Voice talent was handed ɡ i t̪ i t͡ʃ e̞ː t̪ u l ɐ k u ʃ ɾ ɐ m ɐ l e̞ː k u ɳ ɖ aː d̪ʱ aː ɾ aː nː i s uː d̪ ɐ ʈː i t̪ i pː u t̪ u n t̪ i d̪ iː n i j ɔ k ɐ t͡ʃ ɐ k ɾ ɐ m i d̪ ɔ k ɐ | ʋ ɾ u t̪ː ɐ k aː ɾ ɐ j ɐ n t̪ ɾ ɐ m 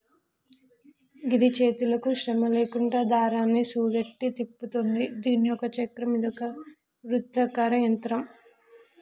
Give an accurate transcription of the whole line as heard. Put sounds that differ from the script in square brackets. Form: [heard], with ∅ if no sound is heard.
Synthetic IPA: ɡ i [d̪] i t͡ʃ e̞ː t̪ u l ɐ k u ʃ ɾ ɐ m ɐ l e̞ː k u ɳ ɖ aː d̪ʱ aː ɾ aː nː i s uː d̪ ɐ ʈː i t̪ i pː u t̪ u n [d̪] i d̪ iː n i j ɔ k ɐ t͡ʃ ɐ k ɾ ɐ m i d̪ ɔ k ɐ | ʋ ɾ u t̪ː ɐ k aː ɾ ɐ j ɐ n t̪ ɾ ɐ m